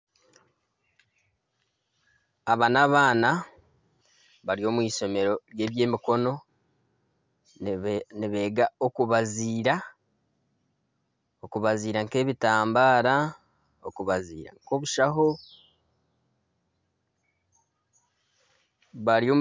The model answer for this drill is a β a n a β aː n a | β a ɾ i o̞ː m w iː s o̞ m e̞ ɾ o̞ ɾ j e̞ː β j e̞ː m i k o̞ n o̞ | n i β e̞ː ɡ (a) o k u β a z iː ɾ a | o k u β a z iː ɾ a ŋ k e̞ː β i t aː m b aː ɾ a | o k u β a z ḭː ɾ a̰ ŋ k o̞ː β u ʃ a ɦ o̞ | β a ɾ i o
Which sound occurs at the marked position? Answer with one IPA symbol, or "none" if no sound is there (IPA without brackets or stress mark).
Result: a